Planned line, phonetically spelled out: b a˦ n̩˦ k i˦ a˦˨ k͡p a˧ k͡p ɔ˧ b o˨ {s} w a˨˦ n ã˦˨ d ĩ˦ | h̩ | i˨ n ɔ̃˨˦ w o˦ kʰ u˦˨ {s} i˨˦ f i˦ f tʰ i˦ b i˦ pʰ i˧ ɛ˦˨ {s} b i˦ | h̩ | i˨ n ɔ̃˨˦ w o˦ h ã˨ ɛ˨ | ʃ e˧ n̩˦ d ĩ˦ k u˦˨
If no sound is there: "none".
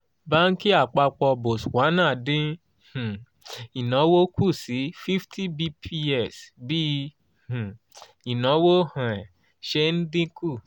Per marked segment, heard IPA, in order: s, s, s

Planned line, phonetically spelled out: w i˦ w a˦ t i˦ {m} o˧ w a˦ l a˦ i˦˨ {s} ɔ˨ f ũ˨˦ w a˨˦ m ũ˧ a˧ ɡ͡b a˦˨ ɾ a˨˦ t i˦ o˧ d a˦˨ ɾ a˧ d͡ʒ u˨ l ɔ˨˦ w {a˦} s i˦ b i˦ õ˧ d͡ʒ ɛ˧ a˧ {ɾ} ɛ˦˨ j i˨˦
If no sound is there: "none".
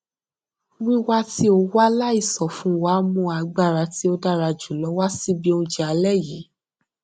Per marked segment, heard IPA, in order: none, s, a˦, l

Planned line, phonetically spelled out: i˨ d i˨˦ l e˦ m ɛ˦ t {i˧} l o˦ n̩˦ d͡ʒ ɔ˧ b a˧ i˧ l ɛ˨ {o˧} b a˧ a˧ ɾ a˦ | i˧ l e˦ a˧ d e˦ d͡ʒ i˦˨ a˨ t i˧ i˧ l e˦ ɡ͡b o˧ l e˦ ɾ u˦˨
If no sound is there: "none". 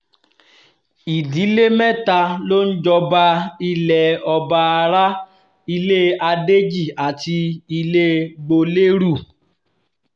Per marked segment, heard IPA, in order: a˧, ɔ˧

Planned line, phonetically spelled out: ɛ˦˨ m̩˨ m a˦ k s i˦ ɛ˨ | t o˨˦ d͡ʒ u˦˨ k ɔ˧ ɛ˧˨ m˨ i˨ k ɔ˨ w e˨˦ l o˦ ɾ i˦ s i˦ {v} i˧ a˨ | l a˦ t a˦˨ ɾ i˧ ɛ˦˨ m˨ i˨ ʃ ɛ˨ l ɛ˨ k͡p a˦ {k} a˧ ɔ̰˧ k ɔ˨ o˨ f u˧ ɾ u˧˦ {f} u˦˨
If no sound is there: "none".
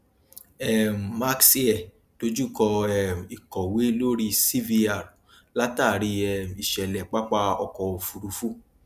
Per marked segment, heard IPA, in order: v, k͡p, f

